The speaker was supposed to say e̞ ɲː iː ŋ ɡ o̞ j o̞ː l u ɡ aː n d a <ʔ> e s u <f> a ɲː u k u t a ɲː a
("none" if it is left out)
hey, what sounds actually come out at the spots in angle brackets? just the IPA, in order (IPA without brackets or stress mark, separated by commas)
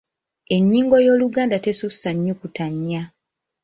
t, s